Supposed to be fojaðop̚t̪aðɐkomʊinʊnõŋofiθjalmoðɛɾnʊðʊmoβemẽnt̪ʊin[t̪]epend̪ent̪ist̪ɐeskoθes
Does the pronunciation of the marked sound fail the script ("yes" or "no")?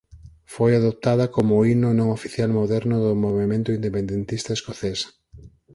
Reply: yes